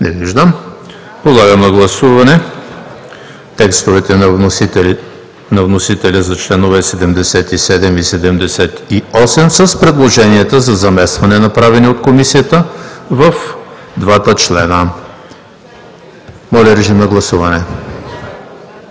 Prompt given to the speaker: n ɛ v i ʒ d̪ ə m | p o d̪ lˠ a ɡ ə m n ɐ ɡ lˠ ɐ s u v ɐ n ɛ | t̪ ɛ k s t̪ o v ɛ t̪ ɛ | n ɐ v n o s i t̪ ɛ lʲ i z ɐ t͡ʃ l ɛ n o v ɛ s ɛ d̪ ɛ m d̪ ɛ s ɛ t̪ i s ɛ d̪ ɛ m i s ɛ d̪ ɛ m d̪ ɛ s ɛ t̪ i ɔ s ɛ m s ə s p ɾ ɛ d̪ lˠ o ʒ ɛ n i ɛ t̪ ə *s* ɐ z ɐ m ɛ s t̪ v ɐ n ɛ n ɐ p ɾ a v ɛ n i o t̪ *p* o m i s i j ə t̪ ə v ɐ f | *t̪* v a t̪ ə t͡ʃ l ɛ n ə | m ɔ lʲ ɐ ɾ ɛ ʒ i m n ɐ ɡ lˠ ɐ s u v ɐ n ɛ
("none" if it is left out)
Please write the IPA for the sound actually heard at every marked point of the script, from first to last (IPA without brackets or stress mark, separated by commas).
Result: z, k, d̪